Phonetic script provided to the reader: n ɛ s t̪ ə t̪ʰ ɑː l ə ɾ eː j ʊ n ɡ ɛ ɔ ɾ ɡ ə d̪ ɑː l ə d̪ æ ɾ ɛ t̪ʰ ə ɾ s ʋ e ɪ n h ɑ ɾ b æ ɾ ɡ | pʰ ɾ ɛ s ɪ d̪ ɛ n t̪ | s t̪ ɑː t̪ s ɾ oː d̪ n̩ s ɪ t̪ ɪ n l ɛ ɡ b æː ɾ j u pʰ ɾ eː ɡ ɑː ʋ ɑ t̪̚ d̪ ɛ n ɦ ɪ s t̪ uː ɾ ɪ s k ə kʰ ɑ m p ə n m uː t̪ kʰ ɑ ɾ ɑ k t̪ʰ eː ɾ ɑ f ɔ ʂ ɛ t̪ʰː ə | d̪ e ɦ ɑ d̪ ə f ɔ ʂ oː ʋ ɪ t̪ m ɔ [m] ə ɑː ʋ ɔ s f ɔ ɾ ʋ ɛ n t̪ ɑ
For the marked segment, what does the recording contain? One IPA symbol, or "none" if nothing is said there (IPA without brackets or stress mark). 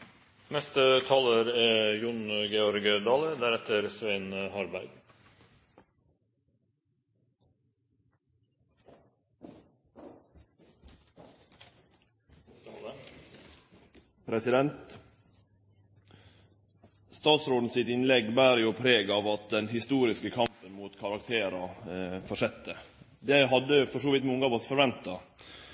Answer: ŋ